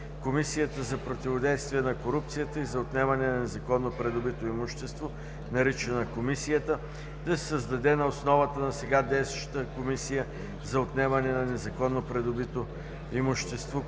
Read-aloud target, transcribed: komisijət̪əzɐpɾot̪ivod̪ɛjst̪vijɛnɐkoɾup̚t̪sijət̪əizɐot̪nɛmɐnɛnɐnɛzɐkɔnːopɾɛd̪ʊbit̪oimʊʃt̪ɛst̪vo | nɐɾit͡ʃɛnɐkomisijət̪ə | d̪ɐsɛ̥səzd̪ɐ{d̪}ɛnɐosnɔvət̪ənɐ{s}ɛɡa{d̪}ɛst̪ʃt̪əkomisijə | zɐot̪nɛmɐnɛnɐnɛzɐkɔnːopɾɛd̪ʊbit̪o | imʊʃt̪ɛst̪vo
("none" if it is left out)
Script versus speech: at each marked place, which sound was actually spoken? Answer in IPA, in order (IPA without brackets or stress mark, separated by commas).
d̪, s, d̪